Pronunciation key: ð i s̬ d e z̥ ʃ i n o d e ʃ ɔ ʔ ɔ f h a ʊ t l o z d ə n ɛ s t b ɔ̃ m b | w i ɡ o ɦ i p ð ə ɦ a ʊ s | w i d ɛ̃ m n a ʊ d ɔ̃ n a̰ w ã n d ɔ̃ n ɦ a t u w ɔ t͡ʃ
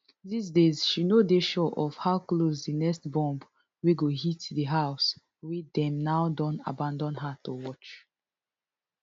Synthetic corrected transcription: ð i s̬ d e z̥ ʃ i n o d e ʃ ɔ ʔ ɔ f h a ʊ k l o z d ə n ɛ s t b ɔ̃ m b | w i ɡ o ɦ i t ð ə ɦ a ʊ s | w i d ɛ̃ m n a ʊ d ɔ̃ n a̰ b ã n d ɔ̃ n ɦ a t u w ɔ t͡ʃ